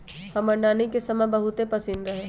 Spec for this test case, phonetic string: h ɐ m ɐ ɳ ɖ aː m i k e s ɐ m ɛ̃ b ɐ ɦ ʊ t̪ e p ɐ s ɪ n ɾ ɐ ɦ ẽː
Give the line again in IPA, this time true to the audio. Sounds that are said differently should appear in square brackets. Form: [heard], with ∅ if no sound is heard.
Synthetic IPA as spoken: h ɐ m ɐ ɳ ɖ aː [n] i k e s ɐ m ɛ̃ b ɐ ɦ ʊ t̪ e p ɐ s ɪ n ɾ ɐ ɦ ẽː